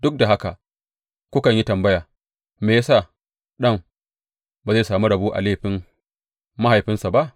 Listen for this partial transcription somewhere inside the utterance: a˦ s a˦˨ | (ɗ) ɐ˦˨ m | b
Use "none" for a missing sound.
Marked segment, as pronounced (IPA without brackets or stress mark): ɗ